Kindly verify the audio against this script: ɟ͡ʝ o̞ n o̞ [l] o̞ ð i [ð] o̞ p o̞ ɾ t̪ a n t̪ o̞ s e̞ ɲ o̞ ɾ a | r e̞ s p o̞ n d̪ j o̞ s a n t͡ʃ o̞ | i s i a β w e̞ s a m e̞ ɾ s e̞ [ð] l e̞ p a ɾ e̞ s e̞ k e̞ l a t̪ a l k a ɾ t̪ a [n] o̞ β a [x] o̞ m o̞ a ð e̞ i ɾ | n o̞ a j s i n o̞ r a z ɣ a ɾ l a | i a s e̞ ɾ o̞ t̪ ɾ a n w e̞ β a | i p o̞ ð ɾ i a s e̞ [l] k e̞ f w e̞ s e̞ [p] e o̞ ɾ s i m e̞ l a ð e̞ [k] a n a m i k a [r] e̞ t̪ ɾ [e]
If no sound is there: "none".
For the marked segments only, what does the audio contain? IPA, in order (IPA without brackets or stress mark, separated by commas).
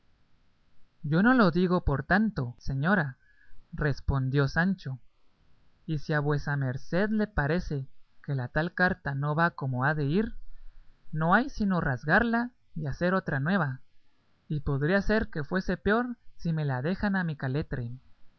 l, ɣ, ð, n, k, ɾ, p, x, l, e